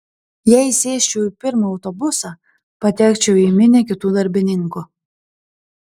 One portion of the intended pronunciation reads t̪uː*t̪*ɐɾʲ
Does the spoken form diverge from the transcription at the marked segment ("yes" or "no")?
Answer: yes